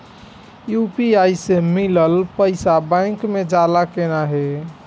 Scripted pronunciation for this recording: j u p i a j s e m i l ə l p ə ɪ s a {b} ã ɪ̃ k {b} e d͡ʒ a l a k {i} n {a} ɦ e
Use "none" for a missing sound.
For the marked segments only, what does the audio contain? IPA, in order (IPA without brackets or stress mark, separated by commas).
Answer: b, m, e, a